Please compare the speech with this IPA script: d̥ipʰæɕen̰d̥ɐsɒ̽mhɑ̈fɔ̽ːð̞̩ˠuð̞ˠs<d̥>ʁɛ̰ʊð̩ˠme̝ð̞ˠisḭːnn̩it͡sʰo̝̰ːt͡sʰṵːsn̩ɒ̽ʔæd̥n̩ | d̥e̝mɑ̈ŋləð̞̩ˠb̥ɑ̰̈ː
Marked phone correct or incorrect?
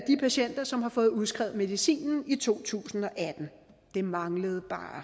incorrect